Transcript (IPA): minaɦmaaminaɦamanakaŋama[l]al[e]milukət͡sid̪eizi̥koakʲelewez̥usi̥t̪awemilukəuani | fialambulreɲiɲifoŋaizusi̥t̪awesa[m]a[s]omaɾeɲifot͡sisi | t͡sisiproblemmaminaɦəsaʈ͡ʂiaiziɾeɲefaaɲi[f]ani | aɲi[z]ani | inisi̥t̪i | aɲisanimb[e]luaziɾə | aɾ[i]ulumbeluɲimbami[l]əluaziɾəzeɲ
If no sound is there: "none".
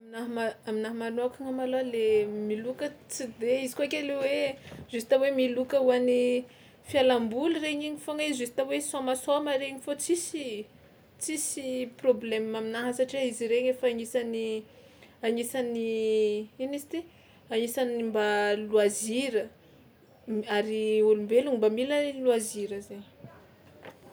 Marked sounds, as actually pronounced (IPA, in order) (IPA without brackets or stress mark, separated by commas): l, e, m, s, s, s, a, i, l